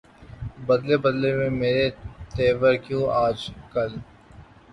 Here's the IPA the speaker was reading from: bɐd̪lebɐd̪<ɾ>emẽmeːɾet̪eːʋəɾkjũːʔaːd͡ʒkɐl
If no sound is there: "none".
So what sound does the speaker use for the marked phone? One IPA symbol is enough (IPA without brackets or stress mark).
l